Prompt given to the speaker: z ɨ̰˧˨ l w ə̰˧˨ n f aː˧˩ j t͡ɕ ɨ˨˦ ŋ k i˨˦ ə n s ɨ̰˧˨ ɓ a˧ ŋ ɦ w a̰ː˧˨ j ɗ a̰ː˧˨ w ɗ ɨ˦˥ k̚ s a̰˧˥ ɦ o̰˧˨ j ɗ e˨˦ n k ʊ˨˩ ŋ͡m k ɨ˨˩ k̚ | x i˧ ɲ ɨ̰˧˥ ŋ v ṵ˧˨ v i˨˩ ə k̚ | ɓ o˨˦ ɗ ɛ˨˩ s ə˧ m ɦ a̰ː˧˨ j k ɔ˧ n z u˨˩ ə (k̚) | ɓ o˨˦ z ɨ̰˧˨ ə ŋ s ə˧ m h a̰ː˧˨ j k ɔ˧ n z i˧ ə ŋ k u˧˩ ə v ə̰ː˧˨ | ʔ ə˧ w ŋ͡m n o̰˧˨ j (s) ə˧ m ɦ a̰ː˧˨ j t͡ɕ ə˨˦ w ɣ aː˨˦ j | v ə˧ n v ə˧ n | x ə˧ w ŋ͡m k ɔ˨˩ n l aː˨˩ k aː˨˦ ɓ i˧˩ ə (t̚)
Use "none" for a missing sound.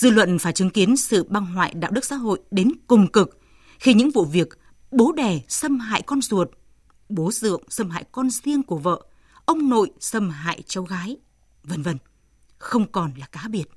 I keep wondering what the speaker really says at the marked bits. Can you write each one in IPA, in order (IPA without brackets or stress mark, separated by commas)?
t̚, s, t̚